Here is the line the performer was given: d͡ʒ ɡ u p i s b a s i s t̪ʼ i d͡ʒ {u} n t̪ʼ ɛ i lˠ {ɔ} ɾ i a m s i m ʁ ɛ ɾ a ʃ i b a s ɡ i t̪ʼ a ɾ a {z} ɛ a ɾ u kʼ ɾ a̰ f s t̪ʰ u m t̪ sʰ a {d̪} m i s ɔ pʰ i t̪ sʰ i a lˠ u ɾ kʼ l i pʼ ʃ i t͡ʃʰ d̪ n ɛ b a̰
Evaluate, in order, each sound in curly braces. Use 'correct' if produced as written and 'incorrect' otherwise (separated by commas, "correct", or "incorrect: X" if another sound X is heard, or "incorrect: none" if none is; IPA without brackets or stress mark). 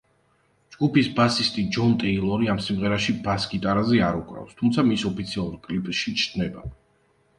incorrect: ɔ, correct, correct, incorrect: none